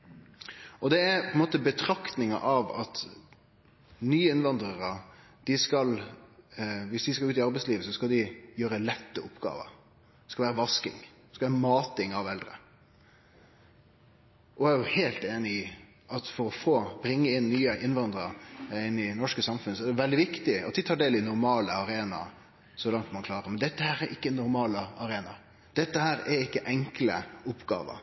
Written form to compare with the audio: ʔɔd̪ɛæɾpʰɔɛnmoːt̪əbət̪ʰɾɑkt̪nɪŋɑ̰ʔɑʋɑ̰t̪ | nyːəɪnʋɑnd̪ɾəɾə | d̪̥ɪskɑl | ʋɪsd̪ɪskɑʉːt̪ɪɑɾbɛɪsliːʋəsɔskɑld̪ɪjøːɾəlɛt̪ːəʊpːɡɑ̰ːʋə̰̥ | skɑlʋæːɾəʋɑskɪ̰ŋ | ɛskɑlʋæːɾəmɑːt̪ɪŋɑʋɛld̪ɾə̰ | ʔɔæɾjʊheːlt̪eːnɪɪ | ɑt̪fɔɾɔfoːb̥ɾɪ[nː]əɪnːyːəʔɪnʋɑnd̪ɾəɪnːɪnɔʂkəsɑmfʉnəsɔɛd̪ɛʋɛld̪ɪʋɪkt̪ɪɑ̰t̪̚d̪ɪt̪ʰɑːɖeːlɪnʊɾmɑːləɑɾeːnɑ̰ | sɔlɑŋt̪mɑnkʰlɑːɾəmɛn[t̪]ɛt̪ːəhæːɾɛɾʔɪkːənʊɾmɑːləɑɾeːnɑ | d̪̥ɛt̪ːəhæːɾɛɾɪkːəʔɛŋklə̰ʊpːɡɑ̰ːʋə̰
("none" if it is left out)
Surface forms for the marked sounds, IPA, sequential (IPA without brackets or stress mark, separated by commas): ŋː, d̪